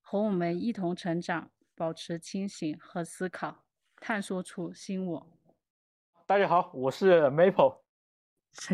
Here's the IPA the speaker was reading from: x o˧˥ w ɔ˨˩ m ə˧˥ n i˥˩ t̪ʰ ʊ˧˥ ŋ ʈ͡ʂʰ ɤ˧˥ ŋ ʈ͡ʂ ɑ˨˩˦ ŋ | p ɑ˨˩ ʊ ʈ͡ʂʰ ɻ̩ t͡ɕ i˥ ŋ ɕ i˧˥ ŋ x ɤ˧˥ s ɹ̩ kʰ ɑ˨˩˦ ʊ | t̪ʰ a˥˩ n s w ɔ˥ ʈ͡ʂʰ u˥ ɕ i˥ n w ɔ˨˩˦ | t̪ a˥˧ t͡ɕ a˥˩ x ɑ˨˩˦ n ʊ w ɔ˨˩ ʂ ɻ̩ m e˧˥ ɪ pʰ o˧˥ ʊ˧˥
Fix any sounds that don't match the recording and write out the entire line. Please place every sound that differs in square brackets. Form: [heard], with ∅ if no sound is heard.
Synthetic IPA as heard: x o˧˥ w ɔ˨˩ m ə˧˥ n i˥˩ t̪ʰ ʊ˧˥ ŋ ʈ͡ʂʰ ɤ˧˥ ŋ ʈ͡ʂ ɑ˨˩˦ ŋ | p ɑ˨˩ ʊ ʈ͡ʂʰ ɻ̩ [t͡ɕʰ] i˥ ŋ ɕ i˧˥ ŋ x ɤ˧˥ s ɹ̩ kʰ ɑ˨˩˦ ʊ | t̪ʰ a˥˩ n s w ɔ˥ ʈ͡ʂʰ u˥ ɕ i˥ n w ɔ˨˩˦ | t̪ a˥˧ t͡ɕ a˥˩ x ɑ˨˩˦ [∅] ʊ w ɔ˨˩ ʂ ɻ̩ m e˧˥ ɪ pʰ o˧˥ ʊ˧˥